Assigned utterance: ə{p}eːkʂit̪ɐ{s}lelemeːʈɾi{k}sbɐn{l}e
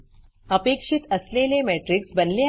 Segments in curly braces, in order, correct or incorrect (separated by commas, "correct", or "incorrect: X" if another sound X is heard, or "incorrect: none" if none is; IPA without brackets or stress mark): correct, correct, correct, correct